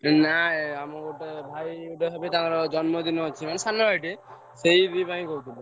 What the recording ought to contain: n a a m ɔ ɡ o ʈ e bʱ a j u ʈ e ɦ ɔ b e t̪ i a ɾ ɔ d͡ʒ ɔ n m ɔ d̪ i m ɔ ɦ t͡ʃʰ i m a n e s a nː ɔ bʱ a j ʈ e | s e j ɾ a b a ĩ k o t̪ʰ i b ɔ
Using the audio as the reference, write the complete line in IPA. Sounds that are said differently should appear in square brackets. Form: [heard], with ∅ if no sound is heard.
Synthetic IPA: n a a m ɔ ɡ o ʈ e bʱ a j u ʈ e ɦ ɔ b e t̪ [a] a ɾ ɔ d͡ʒ ɔ n m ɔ d̪ i [n] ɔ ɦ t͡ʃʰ i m a n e s a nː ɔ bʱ a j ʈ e | s e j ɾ [i] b a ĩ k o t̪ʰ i b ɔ